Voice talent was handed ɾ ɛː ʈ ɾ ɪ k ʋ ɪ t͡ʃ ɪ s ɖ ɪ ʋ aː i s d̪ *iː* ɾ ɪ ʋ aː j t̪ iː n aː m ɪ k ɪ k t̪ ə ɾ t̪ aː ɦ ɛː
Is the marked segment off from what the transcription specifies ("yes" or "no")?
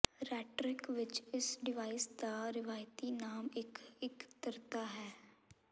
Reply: yes